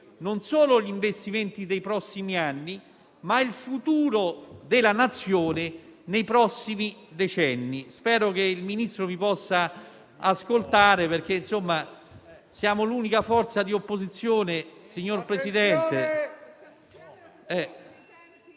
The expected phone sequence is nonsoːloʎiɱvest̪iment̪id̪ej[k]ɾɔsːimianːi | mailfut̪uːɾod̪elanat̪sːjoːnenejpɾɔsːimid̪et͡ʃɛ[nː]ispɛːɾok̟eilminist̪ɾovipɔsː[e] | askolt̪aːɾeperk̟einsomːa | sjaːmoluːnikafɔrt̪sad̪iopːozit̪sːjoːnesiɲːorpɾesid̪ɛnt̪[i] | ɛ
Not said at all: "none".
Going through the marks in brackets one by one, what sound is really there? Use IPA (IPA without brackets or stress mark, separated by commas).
p, nː, a, e